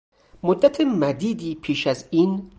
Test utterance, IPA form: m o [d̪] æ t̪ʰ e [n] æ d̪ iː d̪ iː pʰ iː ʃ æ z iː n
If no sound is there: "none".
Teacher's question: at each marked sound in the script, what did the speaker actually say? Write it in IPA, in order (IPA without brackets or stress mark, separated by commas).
d̪ː, m